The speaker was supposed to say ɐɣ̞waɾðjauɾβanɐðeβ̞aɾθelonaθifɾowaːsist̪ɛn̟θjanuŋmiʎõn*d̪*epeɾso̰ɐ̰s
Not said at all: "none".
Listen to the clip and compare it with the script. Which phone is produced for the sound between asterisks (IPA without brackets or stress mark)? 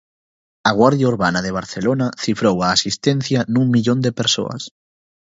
d̪